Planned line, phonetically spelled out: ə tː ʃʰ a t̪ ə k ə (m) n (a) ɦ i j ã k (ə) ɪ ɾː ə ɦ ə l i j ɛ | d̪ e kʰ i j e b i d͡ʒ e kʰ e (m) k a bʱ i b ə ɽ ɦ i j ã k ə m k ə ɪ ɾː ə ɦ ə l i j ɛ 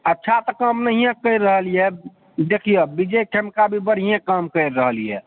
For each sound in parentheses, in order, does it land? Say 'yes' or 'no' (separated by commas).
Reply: yes, no, yes, yes